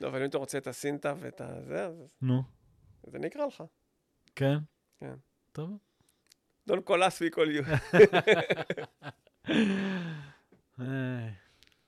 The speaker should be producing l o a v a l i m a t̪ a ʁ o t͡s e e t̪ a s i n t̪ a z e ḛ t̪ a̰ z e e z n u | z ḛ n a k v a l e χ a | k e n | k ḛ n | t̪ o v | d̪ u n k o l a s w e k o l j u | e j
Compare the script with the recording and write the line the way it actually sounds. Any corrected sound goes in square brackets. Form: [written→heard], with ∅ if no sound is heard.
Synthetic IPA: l o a v a l i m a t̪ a ʁ o t͡s e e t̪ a s i n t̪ a [z→v] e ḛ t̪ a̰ z e [e→a] z n u | z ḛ n [a→i] k [v→ʁ] a l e χ a | k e n | k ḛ n | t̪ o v | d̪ [u→o] n k o l a s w [e→i] k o l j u | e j